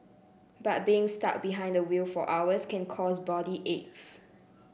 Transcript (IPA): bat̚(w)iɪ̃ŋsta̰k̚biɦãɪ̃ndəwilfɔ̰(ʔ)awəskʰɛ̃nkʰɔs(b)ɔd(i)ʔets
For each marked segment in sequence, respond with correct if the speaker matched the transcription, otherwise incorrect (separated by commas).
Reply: incorrect, correct, correct, correct